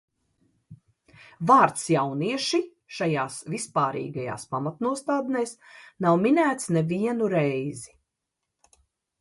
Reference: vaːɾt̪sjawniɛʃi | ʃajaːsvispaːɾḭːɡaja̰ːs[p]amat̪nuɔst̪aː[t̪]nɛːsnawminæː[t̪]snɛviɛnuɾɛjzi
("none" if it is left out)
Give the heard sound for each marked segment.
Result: p, d̪, t̪

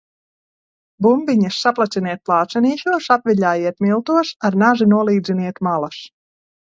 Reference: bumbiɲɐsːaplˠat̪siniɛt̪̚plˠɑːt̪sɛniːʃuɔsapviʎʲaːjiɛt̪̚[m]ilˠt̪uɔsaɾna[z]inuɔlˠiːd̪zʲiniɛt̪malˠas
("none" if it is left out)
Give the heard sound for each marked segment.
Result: m, ʒ

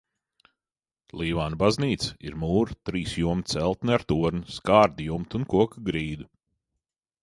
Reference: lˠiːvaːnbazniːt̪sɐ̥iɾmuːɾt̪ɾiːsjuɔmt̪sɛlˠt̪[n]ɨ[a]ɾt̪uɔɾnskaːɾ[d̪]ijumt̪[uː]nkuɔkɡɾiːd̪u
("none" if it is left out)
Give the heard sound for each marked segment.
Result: n, a, d̪, u

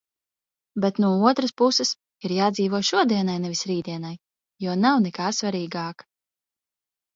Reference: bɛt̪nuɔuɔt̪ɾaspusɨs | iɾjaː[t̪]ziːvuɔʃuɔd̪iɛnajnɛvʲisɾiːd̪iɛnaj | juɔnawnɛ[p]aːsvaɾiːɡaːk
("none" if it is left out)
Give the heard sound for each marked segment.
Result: d̪, k

